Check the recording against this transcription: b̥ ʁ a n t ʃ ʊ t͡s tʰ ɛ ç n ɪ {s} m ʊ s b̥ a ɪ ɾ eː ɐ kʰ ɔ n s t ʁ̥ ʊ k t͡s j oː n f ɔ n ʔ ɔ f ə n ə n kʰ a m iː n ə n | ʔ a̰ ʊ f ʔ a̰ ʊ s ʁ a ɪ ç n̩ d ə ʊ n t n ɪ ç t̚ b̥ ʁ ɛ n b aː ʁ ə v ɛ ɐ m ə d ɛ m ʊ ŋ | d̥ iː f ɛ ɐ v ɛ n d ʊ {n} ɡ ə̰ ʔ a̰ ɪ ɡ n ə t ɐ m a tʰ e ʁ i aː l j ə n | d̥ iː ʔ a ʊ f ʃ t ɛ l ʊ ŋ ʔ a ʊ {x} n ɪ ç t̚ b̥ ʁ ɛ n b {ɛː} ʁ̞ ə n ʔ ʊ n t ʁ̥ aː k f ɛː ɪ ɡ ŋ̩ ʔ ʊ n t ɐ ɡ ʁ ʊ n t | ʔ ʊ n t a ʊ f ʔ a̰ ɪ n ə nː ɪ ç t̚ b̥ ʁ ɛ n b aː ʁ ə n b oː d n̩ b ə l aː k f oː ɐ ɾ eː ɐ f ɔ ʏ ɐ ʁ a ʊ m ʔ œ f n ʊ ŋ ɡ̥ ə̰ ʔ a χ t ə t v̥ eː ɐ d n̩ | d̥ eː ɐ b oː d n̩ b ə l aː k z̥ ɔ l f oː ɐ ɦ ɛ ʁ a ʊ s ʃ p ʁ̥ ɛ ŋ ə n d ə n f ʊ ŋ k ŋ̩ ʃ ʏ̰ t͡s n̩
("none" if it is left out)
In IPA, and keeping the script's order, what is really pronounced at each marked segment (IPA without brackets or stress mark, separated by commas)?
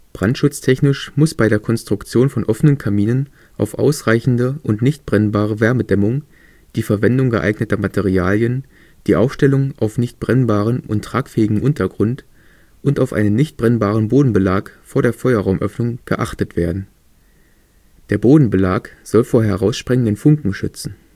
ʃ, ŋ, f, aː